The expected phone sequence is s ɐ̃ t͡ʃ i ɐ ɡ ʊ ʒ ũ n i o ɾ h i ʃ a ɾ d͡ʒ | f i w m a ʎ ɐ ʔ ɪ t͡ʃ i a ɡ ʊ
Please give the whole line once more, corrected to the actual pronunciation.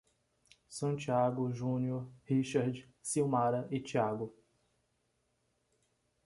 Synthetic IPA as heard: s ɐ̃ t͡ʃ i a ɡ ʊ ʒ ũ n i o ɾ h i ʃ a ɾ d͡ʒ | s i w m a ɾ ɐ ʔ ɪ t͡ʃ i a ɡ ʊ